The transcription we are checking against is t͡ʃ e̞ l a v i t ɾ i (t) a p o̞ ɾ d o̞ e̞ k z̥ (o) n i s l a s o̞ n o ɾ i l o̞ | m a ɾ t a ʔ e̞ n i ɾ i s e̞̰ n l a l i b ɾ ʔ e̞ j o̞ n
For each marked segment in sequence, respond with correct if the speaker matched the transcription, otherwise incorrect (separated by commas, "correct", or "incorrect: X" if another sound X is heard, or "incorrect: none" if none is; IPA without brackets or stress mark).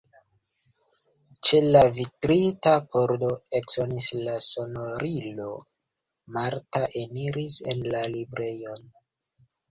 correct, correct